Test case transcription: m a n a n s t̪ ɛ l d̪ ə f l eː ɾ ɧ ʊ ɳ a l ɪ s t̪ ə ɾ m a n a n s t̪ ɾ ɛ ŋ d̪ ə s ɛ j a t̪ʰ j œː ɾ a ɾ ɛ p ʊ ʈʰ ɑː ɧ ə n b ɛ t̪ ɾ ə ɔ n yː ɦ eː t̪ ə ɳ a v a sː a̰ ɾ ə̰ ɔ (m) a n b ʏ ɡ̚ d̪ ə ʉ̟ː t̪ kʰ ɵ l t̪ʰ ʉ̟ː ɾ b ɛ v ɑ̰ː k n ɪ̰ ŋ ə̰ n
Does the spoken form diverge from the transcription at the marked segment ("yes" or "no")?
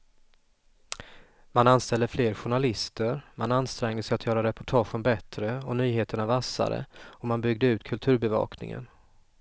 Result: no